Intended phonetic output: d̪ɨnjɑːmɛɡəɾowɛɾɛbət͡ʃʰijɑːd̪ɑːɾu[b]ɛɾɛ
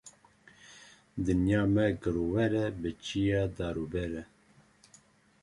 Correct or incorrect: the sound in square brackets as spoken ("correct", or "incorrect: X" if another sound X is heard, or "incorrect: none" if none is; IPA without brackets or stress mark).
correct